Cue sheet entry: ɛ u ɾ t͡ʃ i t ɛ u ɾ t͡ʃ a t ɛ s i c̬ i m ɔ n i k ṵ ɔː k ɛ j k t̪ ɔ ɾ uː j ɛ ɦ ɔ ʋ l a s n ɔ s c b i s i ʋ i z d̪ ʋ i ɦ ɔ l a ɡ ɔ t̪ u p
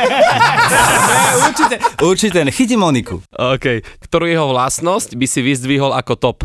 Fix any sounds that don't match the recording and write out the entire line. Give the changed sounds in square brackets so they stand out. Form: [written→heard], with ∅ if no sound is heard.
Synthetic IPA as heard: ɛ u ɾ t͡ʃ i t ɛ u ɾ t͡ʃ [a→i] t ɛ [s→x] i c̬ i m ɔ n i k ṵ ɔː k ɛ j k t̪ ɔ ɾ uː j ɛ ɦ ɔ ʋ l a s n ɔ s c b i s i ʋ i z d̪ ʋ i ɦ ɔ l a [ɡ→k] ɔ t̪ [u→ɔ] p